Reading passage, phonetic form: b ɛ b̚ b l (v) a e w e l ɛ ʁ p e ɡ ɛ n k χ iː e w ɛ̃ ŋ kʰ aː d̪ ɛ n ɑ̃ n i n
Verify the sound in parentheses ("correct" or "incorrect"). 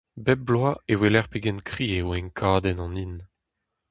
incorrect